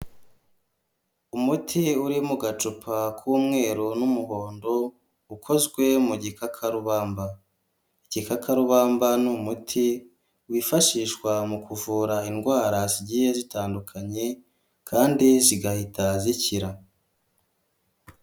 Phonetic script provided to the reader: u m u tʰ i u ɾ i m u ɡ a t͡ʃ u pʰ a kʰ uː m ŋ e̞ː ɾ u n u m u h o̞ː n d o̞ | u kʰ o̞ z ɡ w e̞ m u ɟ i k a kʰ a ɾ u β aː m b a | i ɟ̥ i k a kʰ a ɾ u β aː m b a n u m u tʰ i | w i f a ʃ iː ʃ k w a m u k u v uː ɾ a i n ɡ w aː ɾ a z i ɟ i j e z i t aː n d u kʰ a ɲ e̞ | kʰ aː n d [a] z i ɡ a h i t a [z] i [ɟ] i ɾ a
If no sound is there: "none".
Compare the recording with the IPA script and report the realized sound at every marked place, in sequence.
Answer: i, z, c

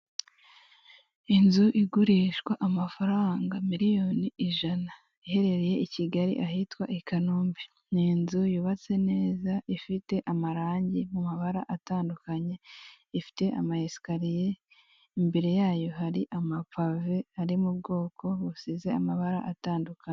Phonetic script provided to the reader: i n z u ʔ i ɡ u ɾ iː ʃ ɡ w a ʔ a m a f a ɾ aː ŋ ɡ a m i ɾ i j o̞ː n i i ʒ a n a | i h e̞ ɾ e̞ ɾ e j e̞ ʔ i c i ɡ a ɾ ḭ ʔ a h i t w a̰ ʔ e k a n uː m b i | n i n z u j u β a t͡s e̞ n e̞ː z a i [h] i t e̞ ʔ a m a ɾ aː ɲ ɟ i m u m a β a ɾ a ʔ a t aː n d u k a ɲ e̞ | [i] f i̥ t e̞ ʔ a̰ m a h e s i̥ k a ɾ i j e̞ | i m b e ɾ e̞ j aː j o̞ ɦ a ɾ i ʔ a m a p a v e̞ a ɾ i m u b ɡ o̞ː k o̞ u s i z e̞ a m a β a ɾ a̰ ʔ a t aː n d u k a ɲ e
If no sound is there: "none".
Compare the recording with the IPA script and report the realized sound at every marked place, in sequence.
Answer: f, i

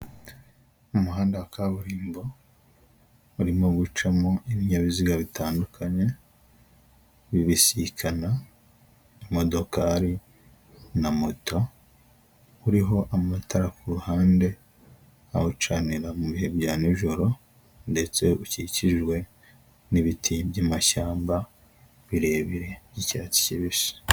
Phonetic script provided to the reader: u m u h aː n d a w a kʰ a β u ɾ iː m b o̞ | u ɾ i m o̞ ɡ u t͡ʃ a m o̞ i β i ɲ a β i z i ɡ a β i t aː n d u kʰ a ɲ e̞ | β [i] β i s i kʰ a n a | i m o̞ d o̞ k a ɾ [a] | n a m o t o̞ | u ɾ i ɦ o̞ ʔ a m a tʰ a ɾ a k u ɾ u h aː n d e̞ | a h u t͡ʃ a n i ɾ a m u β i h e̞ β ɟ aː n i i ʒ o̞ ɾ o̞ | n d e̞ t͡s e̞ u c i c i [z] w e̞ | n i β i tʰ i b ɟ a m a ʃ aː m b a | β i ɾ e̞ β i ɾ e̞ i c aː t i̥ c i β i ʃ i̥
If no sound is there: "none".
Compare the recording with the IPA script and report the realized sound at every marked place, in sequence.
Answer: i, i, ʒ

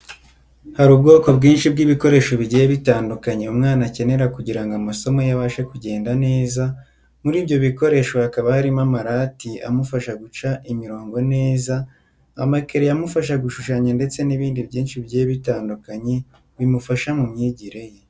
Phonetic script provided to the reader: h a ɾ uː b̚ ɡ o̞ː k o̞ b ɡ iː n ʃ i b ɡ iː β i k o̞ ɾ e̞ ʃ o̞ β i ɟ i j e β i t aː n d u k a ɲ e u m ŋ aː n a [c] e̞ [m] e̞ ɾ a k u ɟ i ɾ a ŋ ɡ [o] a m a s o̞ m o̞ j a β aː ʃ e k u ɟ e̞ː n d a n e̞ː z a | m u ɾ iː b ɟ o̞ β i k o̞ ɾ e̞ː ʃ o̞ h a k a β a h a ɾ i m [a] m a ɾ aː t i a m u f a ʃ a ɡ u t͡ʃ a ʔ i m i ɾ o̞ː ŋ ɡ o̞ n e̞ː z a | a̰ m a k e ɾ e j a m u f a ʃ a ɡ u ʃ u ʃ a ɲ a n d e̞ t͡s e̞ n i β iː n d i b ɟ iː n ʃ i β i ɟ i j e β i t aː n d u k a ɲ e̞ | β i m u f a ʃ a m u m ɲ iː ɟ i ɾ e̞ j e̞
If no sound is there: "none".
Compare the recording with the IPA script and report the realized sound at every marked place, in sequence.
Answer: c, n, o, a

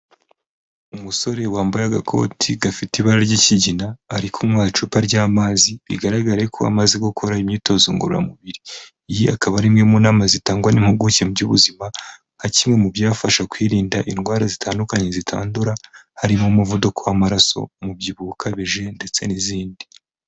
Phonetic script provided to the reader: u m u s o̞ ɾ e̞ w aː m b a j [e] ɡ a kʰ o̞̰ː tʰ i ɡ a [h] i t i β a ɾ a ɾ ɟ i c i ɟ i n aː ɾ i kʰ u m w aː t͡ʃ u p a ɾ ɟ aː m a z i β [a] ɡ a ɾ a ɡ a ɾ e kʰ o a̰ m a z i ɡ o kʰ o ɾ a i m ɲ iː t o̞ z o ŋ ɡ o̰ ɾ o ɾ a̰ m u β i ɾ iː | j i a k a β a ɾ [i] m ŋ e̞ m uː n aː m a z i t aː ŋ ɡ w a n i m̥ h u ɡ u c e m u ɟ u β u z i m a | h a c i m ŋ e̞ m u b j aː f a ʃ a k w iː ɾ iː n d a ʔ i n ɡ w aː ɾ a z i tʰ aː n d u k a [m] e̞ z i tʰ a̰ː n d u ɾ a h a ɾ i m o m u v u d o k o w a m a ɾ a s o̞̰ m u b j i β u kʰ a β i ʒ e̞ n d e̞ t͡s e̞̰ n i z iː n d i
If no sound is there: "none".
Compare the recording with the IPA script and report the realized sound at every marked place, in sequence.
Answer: a, f, i, i, ɲ

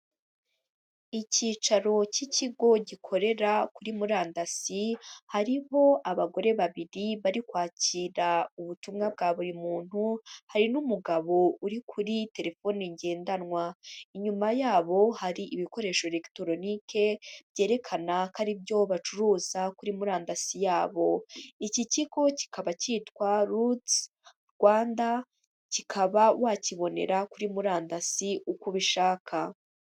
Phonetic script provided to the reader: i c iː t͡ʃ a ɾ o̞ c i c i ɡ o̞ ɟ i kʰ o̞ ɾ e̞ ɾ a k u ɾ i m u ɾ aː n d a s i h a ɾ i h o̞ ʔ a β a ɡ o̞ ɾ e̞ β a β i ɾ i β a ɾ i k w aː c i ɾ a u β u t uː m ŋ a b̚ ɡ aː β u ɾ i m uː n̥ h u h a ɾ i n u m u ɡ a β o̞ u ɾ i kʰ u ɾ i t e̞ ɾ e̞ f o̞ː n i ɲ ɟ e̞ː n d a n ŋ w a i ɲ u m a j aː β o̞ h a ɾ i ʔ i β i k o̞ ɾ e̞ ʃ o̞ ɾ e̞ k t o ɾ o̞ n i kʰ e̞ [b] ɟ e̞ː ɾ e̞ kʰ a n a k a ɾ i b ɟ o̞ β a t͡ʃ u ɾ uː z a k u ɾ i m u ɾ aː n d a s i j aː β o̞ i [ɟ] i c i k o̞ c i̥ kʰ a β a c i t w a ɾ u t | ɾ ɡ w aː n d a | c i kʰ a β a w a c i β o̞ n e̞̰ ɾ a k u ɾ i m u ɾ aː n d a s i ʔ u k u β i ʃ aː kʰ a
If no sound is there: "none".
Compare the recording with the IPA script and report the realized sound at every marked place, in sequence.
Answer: b, c

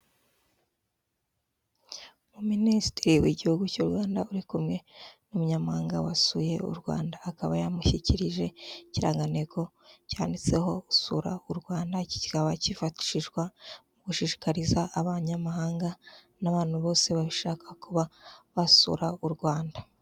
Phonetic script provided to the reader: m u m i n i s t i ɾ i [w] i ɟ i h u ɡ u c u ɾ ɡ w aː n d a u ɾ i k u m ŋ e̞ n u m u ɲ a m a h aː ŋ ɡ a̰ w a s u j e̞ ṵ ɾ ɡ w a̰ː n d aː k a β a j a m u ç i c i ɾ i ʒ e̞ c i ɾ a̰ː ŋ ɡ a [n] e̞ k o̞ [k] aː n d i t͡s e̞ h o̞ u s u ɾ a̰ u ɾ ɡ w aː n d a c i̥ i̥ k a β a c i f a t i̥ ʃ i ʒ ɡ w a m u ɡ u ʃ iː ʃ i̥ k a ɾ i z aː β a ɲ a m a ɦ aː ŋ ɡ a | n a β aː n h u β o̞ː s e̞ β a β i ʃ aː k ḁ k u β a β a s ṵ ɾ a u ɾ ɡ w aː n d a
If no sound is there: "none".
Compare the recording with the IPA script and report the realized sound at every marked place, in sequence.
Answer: w, n, c

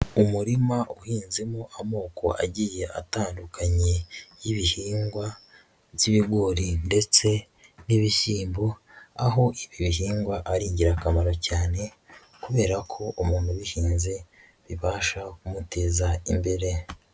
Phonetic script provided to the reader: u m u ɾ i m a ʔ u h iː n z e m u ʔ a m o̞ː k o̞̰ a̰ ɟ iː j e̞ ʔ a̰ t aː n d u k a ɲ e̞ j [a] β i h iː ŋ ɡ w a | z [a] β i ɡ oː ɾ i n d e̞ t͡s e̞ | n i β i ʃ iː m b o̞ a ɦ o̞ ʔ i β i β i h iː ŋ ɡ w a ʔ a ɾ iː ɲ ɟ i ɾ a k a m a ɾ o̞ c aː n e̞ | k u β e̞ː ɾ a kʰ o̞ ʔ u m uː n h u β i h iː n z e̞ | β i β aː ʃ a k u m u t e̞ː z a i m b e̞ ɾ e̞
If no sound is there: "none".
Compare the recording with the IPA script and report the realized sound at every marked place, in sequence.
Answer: i, i

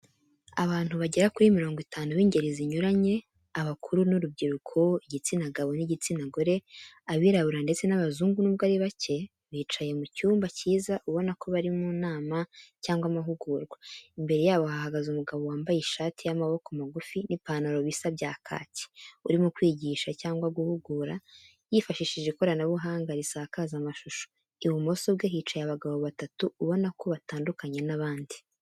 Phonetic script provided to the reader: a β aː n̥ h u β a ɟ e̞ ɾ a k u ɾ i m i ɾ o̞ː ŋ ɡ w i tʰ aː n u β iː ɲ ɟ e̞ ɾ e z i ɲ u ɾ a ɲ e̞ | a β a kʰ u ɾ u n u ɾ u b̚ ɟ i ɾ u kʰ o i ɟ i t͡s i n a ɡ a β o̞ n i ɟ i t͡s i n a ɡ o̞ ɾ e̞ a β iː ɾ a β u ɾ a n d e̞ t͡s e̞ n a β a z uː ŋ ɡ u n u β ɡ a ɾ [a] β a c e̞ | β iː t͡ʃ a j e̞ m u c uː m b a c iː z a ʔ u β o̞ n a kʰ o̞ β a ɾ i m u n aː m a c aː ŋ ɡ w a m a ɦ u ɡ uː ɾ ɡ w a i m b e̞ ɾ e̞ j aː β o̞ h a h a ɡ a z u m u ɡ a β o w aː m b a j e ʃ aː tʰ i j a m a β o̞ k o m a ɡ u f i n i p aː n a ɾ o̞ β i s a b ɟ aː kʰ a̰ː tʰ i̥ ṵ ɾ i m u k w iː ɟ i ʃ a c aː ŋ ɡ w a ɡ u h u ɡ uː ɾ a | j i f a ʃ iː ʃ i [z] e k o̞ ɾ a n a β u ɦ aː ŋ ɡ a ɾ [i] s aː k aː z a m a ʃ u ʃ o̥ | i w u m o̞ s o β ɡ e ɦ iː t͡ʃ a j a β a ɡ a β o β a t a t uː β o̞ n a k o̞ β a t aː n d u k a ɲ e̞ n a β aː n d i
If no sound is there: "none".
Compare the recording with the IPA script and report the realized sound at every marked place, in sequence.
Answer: i, ʒ, i

